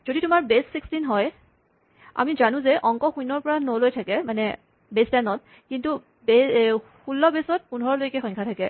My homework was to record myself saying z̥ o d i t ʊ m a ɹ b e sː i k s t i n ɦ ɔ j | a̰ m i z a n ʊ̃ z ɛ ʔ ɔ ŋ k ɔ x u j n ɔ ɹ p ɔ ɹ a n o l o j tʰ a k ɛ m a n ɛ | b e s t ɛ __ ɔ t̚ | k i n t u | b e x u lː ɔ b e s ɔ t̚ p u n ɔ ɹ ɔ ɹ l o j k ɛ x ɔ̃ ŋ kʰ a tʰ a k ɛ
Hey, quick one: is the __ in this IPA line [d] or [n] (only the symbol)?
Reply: n